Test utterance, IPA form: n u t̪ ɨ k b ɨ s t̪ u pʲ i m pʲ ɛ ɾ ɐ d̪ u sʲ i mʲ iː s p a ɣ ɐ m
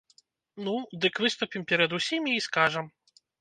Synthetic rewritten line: n u d̪ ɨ k v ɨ s t̪ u pʲ i m pʲ ɛ ɾ ɐ d̪ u sʲ i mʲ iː s k a ʐ ɐ m